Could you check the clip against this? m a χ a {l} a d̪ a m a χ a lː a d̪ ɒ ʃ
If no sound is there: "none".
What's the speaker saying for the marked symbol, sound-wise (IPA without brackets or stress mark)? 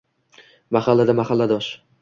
lː